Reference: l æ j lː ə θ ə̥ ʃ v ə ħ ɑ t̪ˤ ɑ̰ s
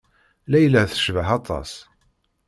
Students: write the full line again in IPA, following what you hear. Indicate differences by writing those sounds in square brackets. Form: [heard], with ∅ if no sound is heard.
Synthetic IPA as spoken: l æ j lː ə θ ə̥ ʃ v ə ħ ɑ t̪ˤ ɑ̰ s

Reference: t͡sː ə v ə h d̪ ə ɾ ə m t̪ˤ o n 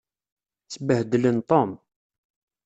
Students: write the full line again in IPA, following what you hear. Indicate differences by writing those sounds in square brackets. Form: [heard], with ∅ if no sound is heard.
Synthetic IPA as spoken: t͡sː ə [b] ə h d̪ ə [l] ə [n] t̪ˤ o [m]

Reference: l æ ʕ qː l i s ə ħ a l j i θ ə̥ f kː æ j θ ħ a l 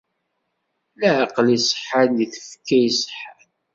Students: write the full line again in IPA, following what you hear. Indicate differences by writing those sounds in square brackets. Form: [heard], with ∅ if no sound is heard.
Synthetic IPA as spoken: l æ ʕ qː l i s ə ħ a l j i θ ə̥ f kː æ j [s] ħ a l

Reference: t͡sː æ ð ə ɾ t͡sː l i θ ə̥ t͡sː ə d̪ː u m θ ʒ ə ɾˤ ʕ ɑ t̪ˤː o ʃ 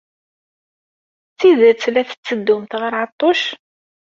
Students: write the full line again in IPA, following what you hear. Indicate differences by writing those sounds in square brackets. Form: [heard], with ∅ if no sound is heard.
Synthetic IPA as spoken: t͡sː [i] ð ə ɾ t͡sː l [æ] θ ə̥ t͡sː ə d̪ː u m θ [ʁ] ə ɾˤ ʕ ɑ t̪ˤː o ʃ

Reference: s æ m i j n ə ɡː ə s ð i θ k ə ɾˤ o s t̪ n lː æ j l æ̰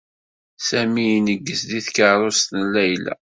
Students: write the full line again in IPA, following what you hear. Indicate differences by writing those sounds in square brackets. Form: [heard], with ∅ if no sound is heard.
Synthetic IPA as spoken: s æ m i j n ə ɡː ə s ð i θ k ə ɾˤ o s t̪ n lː æ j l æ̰

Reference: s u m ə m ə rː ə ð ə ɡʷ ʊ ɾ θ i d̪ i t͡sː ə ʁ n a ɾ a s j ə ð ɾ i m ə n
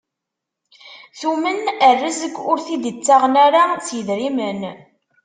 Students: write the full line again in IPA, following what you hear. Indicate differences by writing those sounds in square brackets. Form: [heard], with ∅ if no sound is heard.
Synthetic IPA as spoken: [θ] u m ə [n] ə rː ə [z] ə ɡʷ ʊ ɾ θ i d̪ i t͡sː [a] ʁ n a ɾ a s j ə ð ɾ i m ə n

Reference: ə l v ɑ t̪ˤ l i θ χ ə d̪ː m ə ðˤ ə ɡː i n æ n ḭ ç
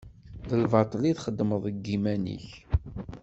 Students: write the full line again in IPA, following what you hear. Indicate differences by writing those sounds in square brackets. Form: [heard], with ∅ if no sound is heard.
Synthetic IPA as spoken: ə l v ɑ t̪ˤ l i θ χ ə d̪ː m ə ðˤ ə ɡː i [m] æ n ḭ ç

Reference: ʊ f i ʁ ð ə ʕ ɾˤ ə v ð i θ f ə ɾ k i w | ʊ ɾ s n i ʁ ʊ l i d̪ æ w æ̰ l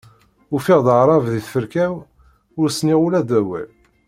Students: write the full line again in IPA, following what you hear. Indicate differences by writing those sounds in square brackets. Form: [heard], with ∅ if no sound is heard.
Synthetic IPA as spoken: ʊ f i ʁ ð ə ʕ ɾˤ [ɑ] v ð i θ f ə ɾ k [æ] w | ʊ ɾ s n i ʁ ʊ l [æ] d̪ æ w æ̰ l

